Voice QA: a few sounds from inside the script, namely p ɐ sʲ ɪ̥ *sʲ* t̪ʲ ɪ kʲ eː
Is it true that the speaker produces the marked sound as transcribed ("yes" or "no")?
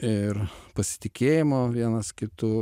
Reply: no